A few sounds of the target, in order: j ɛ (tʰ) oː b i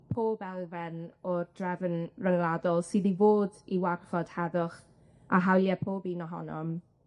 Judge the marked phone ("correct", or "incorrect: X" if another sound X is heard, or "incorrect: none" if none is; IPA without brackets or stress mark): incorrect: pʰ